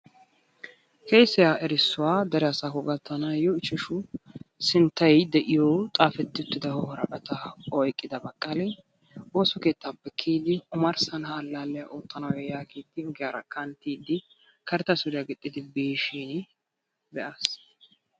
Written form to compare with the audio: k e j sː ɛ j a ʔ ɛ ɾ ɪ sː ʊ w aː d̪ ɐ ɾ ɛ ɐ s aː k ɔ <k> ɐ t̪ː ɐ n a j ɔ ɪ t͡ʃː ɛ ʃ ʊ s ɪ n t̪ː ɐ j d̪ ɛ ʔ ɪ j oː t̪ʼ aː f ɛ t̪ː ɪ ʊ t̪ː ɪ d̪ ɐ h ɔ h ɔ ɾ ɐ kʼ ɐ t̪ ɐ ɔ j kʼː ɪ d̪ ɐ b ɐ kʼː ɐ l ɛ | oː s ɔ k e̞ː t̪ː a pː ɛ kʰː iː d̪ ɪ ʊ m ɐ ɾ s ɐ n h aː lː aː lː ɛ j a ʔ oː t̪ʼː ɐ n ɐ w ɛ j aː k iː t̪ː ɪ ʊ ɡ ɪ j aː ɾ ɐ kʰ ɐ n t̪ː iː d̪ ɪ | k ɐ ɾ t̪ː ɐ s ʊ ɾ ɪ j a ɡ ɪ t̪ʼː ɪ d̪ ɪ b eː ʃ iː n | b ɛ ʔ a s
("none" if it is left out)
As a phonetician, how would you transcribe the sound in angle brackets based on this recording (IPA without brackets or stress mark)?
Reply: ɡ